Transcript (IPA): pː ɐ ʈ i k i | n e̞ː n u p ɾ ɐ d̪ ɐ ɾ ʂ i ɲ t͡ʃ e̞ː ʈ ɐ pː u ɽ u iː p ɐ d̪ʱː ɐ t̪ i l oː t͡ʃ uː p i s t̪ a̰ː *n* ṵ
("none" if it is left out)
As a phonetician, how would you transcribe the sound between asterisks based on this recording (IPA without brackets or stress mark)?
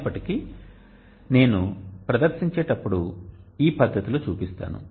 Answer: n